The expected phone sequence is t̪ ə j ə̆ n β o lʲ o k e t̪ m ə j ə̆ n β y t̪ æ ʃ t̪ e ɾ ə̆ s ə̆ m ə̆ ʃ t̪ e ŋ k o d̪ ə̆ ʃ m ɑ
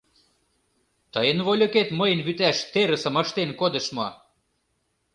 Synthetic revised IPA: t̪ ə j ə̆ n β o lʲ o k e t̪ m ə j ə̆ n β y t̪ æ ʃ t̪ e ɾ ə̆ s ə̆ m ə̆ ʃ t̪ e n k o d̪ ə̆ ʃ m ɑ